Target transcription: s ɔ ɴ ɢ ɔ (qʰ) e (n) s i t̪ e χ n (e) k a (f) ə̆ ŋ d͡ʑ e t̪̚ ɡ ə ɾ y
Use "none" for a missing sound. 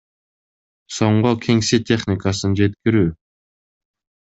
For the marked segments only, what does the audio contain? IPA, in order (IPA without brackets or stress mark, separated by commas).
kʰ, ŋ, i, s